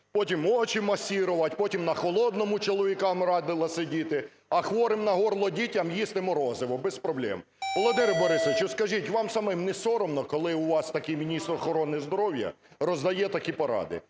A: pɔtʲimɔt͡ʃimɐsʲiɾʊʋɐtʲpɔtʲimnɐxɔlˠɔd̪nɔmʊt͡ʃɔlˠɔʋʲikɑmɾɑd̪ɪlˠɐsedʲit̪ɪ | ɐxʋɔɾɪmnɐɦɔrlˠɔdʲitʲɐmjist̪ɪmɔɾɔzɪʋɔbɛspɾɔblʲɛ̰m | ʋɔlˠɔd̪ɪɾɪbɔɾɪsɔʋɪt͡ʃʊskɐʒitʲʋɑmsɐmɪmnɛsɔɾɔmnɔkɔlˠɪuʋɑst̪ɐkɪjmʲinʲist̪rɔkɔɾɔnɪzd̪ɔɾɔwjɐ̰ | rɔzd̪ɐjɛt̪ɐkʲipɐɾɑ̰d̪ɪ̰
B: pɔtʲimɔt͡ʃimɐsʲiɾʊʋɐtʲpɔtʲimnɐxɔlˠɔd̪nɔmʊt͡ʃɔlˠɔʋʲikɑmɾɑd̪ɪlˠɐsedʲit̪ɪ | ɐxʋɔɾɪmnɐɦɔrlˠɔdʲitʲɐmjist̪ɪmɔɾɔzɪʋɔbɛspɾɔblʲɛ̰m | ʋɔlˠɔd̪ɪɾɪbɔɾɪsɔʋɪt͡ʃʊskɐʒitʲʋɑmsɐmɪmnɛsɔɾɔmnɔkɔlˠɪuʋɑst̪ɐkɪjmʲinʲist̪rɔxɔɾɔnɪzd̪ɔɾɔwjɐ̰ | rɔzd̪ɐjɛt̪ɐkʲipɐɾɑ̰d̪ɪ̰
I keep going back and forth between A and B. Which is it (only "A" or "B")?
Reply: B